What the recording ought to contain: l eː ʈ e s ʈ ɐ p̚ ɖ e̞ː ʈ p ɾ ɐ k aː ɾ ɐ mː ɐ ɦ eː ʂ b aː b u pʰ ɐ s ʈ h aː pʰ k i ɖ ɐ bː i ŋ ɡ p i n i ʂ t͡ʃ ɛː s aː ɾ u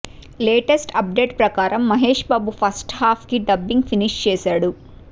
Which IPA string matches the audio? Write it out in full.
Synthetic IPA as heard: l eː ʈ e s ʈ ɐ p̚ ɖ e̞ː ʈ p ɾ ɐ k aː ɾ ɐ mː ɐ ɦ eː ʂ b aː b u pʰ ɐ s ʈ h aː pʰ k i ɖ ɐ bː i ŋ ɡ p i n i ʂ t͡ʃ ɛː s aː ɽ u